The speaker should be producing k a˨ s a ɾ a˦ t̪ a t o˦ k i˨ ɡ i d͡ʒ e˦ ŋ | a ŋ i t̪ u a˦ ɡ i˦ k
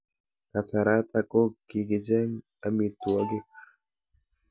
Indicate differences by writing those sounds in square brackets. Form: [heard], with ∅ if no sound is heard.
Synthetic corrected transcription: k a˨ s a ɾ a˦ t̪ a [k] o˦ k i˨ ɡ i d͡ʒ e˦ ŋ | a [m] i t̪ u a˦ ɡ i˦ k